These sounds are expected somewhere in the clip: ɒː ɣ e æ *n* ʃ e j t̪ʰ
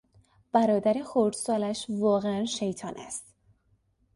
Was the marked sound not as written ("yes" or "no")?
no